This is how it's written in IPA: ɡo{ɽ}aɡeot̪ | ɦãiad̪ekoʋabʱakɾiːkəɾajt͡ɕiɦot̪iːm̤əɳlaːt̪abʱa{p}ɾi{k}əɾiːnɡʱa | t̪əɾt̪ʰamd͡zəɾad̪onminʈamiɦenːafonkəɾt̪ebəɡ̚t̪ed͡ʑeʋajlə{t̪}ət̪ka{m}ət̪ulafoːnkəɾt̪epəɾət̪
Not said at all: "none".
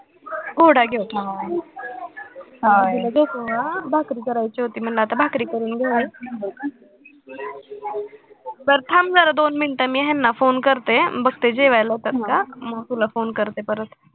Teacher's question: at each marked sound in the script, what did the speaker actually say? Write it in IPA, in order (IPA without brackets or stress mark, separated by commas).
ɽ, k, k, t̪, m